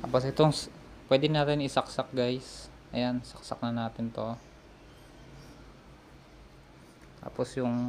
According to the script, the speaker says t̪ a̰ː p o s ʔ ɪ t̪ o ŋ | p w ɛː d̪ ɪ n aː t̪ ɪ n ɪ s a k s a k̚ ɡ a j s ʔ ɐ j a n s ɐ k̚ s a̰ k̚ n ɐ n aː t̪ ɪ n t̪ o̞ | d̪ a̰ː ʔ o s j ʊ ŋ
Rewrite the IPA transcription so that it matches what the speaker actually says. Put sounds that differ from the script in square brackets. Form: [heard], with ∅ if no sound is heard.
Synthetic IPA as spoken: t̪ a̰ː p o s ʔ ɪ t̪ o ŋ | p w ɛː d̪ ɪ n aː t̪ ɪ n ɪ s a k s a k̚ ɡ a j s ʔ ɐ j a n s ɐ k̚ s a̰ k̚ n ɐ n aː t̪ ɪ n t̪ o̞ | [t̪] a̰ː [p] o s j ʊ ŋ